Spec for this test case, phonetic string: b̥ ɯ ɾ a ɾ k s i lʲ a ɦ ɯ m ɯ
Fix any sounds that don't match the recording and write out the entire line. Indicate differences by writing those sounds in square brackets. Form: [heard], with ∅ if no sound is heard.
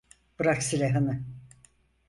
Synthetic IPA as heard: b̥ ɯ ɾ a [∅] k s i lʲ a ɦ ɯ [n] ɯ